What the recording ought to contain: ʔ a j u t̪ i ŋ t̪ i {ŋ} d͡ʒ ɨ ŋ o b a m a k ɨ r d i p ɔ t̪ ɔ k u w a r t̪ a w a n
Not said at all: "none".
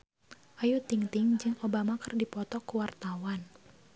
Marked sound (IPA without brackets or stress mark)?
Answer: ŋ